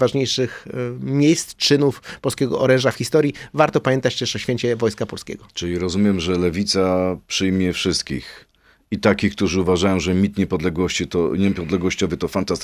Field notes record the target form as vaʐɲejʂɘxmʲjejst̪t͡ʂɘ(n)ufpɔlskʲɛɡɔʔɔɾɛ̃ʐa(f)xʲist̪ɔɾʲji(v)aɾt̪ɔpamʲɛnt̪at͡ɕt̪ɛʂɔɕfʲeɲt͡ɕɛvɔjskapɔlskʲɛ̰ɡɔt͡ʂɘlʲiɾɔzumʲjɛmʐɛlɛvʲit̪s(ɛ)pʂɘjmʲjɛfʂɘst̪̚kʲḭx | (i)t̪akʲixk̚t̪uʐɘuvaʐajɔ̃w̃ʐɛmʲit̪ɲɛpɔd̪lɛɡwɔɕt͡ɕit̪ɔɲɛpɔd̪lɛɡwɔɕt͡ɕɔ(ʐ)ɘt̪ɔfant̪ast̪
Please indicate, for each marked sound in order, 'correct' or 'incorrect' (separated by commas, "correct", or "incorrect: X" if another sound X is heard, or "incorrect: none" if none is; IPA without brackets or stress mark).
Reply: correct, correct, correct, incorrect: a, correct, incorrect: v